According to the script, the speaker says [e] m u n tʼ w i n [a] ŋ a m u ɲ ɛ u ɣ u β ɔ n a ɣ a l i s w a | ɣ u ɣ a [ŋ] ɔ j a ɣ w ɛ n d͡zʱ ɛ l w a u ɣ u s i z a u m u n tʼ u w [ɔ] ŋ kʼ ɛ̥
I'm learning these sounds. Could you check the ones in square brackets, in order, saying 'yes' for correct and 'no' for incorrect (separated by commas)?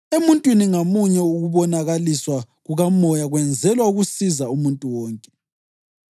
yes, no, no, no